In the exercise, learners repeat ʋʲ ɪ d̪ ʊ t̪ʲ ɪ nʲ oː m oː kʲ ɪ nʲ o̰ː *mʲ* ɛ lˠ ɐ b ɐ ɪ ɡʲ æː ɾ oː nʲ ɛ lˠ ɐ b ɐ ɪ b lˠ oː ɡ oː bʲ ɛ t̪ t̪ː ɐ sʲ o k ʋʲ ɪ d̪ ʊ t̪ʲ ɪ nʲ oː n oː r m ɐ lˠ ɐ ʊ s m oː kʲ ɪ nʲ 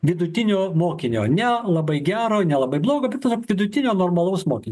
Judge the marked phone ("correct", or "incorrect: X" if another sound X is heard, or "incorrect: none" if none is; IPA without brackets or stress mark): incorrect: nʲ